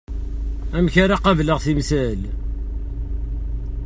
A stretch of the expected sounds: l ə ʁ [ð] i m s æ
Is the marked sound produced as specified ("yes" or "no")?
no